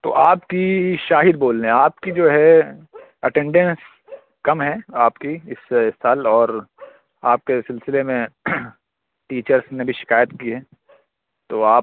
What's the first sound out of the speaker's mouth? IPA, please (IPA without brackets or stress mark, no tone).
t̪